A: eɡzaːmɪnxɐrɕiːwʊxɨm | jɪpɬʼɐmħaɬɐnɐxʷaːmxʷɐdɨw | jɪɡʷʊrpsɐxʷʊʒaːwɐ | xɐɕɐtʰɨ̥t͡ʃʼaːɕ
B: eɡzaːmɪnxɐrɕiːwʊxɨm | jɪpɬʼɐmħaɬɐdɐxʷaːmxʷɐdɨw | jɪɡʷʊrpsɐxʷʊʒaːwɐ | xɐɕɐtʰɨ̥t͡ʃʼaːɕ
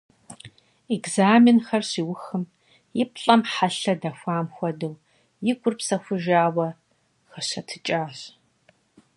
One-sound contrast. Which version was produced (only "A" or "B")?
B